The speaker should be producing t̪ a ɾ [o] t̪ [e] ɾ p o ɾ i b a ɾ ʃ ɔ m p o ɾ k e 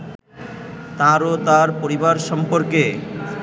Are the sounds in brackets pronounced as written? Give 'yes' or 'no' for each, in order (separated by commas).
yes, no